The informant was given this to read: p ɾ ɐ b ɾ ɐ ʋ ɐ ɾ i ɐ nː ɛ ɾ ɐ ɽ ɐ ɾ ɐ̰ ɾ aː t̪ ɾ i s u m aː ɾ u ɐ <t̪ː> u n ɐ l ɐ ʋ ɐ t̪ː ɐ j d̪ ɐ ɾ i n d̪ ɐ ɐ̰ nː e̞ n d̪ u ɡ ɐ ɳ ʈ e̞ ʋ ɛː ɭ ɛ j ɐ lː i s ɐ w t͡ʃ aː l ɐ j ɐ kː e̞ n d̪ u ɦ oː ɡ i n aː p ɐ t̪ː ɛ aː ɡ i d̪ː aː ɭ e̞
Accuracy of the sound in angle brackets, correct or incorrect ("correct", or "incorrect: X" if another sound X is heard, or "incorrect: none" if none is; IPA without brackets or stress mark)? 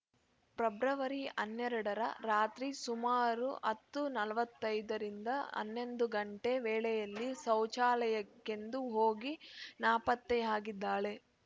correct